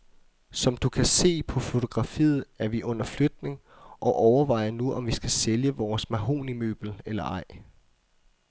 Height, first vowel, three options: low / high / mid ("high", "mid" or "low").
low